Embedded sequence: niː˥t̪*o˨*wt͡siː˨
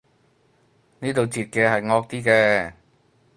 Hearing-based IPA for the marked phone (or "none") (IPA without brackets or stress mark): o˨